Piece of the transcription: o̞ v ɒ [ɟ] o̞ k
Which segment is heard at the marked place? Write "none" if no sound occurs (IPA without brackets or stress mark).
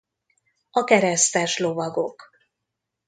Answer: ɡ